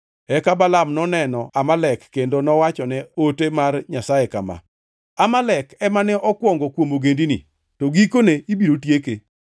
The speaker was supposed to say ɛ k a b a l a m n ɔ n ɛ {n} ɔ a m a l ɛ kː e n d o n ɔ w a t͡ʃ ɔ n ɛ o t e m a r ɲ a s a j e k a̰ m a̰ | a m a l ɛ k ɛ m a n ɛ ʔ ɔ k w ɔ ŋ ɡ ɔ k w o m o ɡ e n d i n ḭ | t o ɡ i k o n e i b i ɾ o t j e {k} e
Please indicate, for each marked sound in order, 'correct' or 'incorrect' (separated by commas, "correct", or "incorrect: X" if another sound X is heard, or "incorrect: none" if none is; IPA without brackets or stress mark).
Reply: correct, correct